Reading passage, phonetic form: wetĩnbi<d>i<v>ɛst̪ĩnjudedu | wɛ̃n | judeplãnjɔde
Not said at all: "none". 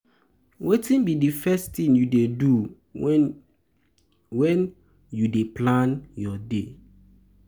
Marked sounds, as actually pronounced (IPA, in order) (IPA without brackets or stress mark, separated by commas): d, f